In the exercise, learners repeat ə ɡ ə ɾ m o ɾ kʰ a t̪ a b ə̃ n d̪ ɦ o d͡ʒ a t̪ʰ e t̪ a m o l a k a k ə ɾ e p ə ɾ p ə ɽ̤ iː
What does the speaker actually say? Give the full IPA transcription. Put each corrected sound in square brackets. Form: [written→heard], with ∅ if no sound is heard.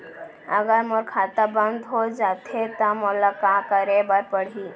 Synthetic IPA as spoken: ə ɡ ə ɾ m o ɾ kʰ a t̪ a b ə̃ n d̪ ɦ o d͡ʒ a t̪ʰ e t̪ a m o l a k a k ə ɾ e [p→b] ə ɾ p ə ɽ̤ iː

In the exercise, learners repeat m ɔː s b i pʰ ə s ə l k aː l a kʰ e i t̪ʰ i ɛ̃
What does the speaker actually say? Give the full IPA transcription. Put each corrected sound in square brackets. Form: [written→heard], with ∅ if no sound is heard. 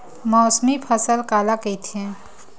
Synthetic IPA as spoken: m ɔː s [b→m] i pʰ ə s ə l k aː l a [kʰ→k] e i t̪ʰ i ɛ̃

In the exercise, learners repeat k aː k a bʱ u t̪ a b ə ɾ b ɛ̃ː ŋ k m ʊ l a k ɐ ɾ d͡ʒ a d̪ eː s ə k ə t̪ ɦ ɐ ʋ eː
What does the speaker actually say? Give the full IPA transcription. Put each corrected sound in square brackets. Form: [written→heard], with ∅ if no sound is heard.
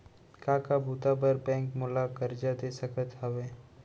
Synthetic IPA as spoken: k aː k a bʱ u t̪ a b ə ɾ b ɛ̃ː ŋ k m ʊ l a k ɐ ɾ d͡ʒ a d̪ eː s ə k ə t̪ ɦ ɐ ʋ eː

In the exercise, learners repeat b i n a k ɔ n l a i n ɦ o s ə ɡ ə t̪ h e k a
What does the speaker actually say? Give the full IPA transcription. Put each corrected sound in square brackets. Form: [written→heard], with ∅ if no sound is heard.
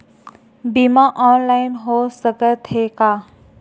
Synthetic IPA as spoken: b i [n→m] a [k→ʔ] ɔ n l a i n ɦ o s ə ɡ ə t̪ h e k a

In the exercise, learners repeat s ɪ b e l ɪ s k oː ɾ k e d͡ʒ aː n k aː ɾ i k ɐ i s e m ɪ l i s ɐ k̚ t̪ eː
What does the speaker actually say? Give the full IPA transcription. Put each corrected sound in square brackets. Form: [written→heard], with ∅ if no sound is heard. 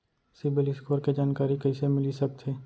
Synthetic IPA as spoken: s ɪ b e l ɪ s k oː ɾ k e d͡ʒ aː n k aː ɾ i k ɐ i s e m ɪ l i s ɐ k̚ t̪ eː

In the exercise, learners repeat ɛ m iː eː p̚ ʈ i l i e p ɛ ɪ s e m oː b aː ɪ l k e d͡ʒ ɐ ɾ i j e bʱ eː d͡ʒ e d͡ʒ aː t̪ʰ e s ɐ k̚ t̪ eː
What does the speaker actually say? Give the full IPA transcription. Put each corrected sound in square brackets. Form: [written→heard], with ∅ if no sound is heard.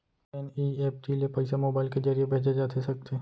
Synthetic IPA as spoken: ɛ [m→n] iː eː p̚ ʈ i l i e p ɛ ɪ s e m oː b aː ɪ l k e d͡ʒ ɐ ɾ i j e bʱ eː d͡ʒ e d͡ʒ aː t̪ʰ e s ɐ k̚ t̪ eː

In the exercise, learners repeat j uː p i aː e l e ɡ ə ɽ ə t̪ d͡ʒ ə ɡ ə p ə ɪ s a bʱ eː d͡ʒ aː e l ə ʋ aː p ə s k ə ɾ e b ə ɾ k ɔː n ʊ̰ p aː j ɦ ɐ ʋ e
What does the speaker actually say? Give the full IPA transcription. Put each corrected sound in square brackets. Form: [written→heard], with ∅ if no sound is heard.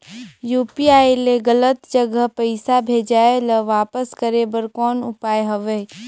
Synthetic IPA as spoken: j uː p i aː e l e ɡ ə [ɽ→l] ə t̪ d͡ʒ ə ɡ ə p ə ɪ s a bʱ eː d͡ʒ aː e l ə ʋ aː p ə s k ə ɾ e b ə ɾ k ɔː n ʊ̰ p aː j ɦ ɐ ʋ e

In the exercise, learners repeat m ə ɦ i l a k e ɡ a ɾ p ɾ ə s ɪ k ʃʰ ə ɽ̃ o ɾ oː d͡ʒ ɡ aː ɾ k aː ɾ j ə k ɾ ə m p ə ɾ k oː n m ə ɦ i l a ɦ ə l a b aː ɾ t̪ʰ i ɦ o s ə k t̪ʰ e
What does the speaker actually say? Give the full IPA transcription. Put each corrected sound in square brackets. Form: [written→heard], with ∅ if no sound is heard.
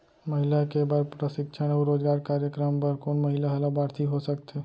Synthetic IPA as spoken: m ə ɦ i l a k e [ɡ→b] a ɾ p ɾ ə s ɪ k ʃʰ ə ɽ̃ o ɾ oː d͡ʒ ɡ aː ɾ k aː ɾ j ə k ɾ ə m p ə ɾ k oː n m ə ɦ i l a ɦ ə l a b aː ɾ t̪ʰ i ɦ o s ə k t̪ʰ e

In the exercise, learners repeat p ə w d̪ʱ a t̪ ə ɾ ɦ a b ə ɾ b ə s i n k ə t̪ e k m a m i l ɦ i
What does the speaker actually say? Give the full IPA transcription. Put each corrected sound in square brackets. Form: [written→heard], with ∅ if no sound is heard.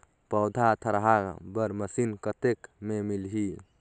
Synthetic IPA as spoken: p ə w d̪ʱ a [t̪→t̪ʰ] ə ɾ ɦ a b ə ɾ [b→m] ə s i n k ə t̪ e k m [a→e] m i l ɦ i

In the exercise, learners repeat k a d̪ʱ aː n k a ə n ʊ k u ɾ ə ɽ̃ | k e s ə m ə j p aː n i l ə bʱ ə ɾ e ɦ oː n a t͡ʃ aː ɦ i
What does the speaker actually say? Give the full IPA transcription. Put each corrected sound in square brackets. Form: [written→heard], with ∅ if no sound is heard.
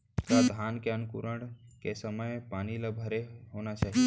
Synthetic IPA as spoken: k a d̪ʱ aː n k [a→e] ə n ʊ k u ɾ ə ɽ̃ | k e s ə m ə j p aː n i l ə bʱ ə ɾ e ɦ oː n a t͡ʃ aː ɦ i

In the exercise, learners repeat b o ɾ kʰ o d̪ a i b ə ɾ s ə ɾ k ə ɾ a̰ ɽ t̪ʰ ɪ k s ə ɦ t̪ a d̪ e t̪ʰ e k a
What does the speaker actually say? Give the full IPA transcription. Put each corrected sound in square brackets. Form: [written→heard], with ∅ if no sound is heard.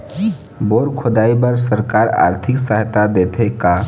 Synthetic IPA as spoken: b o ɾ kʰ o d̪ a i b ə ɾ s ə ɾ k [ə→a] ɾ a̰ [ɽ→ɾ] t̪ʰ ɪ k s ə ɦ t̪ a d̪ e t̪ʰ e k a

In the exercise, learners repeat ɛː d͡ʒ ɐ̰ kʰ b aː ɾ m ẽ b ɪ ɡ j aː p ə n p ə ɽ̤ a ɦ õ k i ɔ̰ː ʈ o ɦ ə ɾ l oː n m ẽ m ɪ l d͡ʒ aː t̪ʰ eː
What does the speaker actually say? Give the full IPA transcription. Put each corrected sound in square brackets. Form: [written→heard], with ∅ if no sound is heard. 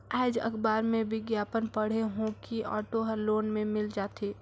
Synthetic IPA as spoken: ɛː d͡ʒ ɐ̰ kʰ b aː ɾ m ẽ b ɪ ɡ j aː p ə n p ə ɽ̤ [a→e] ɦ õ k i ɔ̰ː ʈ o ɦ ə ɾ l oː n m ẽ m ɪ l d͡ʒ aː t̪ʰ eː

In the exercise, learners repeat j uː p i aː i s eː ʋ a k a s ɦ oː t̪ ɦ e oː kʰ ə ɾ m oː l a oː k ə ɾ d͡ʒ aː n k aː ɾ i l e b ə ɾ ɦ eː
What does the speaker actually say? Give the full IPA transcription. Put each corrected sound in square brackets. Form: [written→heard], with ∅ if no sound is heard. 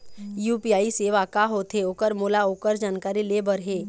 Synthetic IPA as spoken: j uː p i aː i s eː ʋ a k a [s→∅] ɦ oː t̪ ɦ e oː [kʰ→k] ə ɾ m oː l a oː k ə ɾ d͡ʒ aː n k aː ɾ i l e b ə ɾ ɦ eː

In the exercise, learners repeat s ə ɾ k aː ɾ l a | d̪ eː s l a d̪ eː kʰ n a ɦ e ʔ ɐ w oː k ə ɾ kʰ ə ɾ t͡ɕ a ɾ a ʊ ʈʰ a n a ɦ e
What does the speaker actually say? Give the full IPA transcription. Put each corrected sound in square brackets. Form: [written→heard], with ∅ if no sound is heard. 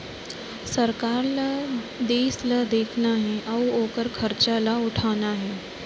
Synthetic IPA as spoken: s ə ɾ k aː ɾ l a | d̪ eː s l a d̪ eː kʰ n a ɦ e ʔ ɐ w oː k ə ɾ kʰ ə ɾ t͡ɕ a [ɾ→l] a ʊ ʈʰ a n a ɦ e

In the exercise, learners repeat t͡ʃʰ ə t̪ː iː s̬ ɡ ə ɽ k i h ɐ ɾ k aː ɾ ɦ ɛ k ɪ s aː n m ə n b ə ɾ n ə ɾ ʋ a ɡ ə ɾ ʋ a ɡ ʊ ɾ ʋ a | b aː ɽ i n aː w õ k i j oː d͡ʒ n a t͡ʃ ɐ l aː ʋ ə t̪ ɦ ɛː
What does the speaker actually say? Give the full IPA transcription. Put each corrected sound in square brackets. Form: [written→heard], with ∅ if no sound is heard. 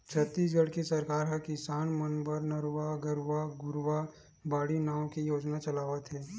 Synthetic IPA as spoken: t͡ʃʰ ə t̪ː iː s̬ ɡ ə ɽ k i [h→s] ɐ ɾ k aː ɾ ɦ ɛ k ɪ s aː n m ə n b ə ɾ n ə ɾ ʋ a ɡ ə ɾ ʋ a ɡ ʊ ɾ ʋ a | b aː ɽ i n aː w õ k i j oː d͡ʒ n a t͡ʃ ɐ l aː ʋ ə t̪ ɦ ɛː

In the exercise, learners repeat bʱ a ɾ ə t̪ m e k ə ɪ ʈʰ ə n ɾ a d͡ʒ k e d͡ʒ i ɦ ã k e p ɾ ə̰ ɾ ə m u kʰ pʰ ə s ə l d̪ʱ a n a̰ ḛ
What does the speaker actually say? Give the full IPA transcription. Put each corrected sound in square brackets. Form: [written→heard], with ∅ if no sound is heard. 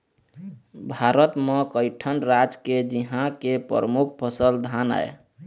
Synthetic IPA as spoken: bʱ a ɾ ə t̪ m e k ə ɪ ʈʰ ə n ɾ a d͡ʒ k e d͡ʒ i ɦ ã k e p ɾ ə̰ ɾ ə m u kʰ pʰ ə s ə l d̪ʱ a n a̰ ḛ

